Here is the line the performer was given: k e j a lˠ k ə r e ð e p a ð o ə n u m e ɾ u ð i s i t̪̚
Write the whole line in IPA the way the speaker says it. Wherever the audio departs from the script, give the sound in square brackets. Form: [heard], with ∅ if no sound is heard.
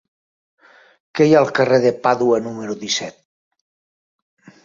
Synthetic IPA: k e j a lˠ k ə r e ð e p a ð [u] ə n u m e ɾ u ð i s [ɛ] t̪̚